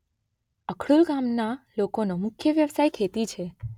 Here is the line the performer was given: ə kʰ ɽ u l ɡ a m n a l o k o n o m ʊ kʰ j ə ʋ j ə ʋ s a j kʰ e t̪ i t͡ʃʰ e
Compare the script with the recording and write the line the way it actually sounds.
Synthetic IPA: ə kʰ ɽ u l ɡ a m n a l o k o n o m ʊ kʰ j ə ʋ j ə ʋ s a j kʰ e t̪ i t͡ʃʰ e